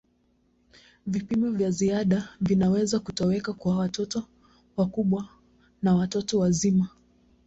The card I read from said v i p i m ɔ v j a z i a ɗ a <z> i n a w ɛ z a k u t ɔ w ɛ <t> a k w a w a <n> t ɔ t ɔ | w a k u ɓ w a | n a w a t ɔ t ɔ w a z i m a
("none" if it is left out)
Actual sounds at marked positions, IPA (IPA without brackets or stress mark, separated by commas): v, k, none